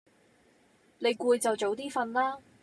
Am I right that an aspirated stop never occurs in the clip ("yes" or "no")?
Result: yes